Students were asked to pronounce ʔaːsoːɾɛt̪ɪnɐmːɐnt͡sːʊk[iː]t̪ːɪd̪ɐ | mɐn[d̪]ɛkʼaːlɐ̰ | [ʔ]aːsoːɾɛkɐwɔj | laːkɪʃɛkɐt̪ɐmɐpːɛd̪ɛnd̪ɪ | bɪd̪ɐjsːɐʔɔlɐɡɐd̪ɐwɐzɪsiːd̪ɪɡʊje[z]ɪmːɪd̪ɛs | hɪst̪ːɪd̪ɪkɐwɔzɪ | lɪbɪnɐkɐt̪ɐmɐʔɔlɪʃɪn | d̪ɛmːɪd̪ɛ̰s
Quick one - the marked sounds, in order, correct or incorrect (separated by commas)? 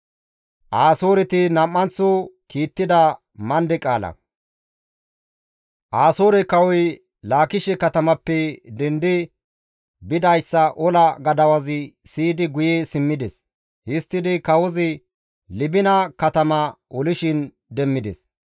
correct, correct, correct, incorrect